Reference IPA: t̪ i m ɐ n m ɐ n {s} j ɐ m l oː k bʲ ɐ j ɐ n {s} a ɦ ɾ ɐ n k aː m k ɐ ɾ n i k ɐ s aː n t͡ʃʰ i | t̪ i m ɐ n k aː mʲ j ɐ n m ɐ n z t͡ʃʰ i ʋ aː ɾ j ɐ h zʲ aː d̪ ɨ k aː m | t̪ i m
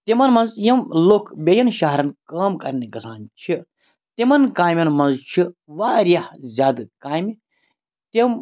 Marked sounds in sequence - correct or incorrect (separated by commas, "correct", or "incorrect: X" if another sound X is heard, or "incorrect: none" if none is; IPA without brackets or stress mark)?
incorrect: z, incorrect: ʃ